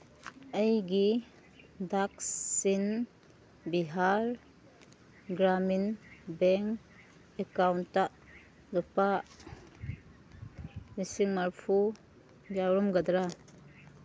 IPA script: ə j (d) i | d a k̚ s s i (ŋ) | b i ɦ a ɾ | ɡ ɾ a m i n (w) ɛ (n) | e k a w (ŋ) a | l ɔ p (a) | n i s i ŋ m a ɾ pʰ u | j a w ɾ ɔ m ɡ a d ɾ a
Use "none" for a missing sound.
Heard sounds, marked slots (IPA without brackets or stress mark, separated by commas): ɡ, n, b, ŋ, n, a